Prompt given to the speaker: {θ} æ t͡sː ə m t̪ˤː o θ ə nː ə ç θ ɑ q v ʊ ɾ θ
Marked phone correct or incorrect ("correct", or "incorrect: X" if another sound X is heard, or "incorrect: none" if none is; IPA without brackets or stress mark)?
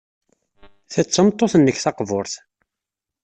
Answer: correct